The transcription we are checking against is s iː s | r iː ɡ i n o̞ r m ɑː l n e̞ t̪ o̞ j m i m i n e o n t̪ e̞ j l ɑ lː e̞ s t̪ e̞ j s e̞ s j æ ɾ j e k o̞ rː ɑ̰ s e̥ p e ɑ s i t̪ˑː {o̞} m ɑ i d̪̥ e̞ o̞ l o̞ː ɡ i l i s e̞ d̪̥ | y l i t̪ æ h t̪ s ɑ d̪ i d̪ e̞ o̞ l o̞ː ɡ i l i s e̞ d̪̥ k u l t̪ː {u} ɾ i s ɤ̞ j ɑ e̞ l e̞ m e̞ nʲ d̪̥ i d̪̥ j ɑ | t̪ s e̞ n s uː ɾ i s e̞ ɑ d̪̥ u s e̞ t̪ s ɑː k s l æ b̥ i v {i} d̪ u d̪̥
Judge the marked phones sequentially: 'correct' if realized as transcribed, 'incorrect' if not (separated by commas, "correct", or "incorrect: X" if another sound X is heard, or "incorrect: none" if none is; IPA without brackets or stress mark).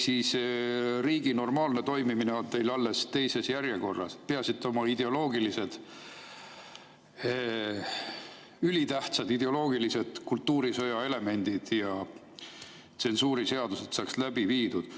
correct, incorrect: uː, incorrect: iː